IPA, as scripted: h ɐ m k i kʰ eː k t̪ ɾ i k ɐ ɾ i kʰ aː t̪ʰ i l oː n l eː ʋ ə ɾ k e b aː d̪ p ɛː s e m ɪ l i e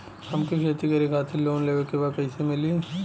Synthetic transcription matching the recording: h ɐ m k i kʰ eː t̪ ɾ i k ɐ ɾ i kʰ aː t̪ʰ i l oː n l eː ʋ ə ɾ k e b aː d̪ p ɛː s e m ɪ l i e